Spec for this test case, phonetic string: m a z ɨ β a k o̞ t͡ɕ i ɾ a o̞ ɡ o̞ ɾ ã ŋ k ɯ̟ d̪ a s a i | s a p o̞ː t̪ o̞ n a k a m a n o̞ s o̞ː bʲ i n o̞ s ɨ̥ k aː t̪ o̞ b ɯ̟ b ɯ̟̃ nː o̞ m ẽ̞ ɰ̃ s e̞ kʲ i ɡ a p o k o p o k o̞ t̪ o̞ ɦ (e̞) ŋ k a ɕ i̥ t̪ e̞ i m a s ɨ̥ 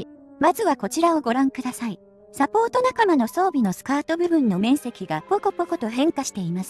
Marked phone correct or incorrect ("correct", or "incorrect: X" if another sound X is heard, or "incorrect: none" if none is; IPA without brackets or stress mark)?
incorrect: ẽ̞